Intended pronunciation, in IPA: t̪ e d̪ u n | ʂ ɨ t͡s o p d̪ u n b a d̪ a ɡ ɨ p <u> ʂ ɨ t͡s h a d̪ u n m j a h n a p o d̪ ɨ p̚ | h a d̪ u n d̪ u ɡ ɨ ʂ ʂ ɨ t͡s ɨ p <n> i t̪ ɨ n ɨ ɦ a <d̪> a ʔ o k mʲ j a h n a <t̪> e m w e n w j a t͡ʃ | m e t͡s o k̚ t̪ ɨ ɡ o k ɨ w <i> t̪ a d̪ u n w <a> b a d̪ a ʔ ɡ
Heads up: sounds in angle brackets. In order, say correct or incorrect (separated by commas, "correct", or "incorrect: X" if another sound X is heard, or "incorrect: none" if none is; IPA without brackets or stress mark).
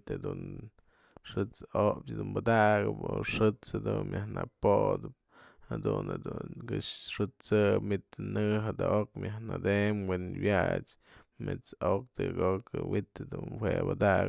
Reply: incorrect: o, incorrect: m, correct, incorrect: d̪, correct, incorrect: e